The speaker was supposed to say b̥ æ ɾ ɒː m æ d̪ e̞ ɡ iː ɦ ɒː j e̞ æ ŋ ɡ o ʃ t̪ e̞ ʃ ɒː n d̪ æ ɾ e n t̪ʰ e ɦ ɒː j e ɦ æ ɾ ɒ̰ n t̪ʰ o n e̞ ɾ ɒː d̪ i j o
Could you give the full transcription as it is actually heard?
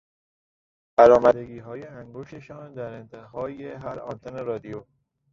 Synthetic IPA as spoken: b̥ æ ɾ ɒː m æ d̪ e̞ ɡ iː ɦ ɒː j e̞ æ ŋ ɡ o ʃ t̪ e̞ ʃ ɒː n d̪ æ ɾ e n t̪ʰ e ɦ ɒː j e ɦ æ ɾ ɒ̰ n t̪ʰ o n e̞ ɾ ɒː d̪ i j o

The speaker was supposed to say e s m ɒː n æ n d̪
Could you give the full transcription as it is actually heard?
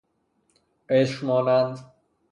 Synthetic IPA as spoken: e ʃ m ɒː n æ n d̪

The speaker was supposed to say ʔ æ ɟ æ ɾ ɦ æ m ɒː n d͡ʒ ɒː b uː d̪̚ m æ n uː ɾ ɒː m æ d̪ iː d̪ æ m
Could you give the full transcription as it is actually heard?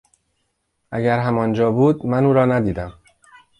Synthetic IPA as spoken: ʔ æ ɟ æ ɾ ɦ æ m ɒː n d͡ʒ ɒː b uː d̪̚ m æ n uː ɾ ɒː n æ d̪ iː d̪ æ m

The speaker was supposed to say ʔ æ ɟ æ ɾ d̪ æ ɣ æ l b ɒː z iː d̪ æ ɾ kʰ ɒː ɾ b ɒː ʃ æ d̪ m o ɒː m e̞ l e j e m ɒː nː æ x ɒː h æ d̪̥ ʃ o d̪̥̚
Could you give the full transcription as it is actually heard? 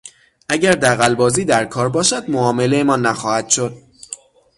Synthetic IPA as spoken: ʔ æ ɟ æ ɾ d̪ æ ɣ æ l b ɒː z iː d̪ æ ɾ kʰ ɒː ɾ b ɒː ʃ æ d̪ m o ɒː m e̞ l e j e m ɒː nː æ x ɒː h æ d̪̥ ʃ o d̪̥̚

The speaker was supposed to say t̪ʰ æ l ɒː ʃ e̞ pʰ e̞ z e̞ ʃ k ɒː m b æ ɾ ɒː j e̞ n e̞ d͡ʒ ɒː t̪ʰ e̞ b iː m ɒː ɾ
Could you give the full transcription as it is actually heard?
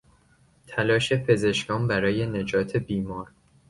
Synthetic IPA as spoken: t̪ʰ æ l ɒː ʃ e̞ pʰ e̞ z e̞ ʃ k ɒː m b æ ɾ ɒː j e̞ n e̞ d͡ʒ ɒː t̪ʰ e̞ b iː m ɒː ɾ

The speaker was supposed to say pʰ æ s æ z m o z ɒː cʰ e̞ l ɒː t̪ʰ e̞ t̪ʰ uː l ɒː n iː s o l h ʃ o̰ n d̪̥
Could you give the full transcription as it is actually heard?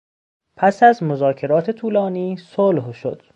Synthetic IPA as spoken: pʰ æ s æ z m o z ɒː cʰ e̞ ɾ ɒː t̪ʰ e̞ t̪ʰ uː l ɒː n iː s o l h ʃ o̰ d̪̥

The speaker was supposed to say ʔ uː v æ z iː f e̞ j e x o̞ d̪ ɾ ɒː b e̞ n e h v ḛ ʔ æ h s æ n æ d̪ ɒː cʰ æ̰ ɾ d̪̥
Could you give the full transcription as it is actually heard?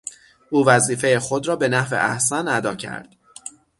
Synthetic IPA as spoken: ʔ uː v æ z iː f e̞ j e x o̞ d̪ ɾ ɒː b e̞ n æ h v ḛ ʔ æ h s æ n æ d̪ ɒː cʰ æ̰ ɾ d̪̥

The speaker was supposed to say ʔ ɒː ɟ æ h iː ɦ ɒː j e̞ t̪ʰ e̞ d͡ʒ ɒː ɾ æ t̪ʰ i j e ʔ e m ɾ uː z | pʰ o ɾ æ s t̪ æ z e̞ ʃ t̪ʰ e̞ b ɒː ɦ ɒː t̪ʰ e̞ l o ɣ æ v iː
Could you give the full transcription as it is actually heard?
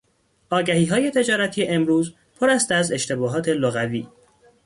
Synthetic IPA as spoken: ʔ ɒː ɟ æ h iː ɦ ɒː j e̞ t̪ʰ e̞ d͡ʒ ɒː ɾ æ t̪ʰ i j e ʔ e m ɾ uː z | pʰ o ɾ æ s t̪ æ z e̞ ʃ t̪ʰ e̞ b ɒː ɦ ɒː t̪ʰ e̞ l o ɣ æ v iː

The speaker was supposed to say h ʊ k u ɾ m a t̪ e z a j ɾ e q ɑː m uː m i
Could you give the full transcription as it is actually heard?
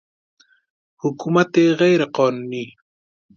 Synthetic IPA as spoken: h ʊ k u m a t̪ e ɣ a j ɾ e q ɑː n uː n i

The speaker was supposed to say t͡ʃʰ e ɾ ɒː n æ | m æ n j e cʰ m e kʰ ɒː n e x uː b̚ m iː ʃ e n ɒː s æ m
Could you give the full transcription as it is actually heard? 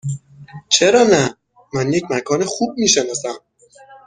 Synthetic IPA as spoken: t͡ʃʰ e ɾ ɒː n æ | m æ n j e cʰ m æ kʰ ɒː n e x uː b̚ m iː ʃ e n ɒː s æ m

